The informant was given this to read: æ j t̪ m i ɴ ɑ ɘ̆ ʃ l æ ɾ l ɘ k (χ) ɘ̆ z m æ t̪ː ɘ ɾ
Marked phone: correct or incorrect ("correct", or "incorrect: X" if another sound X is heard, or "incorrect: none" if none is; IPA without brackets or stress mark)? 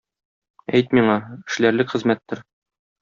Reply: correct